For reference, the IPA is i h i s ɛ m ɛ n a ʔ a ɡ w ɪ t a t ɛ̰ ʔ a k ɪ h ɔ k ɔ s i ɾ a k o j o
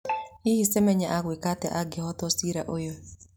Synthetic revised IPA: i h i s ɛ m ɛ ɲ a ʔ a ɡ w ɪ k a t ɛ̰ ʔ a ɡ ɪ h ɔ t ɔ s i ɾ a ʔ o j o